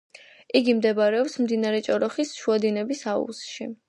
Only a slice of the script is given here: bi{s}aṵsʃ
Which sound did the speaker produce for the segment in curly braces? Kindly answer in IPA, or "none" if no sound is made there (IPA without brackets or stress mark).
s